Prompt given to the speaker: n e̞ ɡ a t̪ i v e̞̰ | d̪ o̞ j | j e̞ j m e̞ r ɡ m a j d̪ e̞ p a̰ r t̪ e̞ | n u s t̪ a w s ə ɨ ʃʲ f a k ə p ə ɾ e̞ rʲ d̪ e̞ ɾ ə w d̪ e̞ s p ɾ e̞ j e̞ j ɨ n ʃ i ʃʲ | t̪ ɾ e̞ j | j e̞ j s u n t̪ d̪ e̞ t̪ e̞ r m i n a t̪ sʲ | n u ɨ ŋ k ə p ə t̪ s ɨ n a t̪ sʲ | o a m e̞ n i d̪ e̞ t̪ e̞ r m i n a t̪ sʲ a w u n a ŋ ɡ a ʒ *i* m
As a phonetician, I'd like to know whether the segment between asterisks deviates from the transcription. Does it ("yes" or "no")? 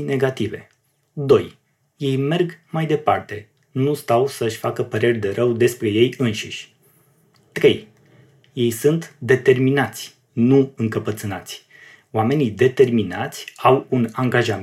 yes